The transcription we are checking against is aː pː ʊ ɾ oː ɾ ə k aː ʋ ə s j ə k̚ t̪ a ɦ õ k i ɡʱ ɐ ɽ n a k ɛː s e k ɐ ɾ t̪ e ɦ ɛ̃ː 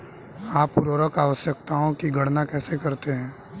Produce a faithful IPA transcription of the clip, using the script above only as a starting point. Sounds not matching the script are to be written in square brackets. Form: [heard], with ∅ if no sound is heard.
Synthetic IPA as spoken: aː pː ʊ ɾ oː ɾ ə k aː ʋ ə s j ə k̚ t̪ a ɦ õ k i ɡʱ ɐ ɽ n a k ɛː s e k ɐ ɾ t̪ e ɦ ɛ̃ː